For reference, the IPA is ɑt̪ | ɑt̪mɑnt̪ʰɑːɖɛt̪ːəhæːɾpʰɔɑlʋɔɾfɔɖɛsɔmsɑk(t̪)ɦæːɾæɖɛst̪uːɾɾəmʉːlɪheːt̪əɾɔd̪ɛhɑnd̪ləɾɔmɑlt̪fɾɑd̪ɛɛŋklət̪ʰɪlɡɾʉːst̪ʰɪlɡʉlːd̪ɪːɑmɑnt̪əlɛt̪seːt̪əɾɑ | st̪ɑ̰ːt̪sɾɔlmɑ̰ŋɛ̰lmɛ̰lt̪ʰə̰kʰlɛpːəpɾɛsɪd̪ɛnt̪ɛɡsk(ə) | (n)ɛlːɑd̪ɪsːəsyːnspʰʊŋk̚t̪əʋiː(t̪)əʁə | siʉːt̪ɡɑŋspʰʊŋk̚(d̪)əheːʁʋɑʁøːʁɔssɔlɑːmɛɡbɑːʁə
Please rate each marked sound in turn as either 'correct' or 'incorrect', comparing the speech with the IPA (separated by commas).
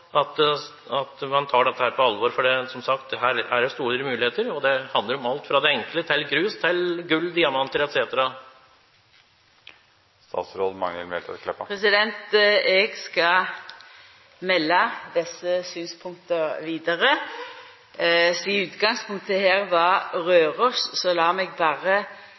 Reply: correct, incorrect, incorrect, incorrect, incorrect